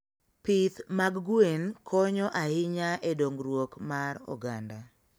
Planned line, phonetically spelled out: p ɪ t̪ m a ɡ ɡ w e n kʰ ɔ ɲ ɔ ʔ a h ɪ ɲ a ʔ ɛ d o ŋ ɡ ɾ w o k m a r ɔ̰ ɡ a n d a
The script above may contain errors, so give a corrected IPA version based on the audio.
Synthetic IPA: p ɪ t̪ m a ɡ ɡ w e n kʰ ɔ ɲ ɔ ʔ a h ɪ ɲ a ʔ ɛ d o ŋ ɡ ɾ w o k m a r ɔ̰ ɡ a n d a